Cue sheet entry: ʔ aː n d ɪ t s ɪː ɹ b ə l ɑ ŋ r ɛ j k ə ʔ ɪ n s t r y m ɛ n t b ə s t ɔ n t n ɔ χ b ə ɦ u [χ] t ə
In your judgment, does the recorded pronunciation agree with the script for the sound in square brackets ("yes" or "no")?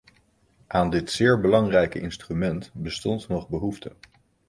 no